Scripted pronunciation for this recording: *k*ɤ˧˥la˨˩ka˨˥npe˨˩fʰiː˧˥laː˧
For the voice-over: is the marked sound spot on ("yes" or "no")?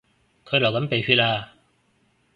no